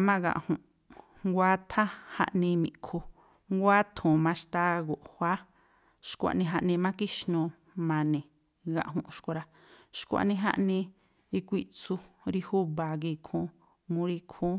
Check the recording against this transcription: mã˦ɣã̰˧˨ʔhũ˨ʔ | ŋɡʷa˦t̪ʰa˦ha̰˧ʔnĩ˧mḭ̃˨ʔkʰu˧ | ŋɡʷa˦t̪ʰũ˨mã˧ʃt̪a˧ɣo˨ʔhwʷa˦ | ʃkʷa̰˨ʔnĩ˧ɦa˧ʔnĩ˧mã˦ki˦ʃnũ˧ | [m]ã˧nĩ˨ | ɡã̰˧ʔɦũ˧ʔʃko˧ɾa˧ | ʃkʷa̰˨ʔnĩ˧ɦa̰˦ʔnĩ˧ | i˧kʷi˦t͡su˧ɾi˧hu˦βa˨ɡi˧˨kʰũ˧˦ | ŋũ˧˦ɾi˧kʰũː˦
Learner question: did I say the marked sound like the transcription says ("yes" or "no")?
yes